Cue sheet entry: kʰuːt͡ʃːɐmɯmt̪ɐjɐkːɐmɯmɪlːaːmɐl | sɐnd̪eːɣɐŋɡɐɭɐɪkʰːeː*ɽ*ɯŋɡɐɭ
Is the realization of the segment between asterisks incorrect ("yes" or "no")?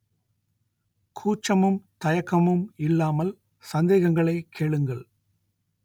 yes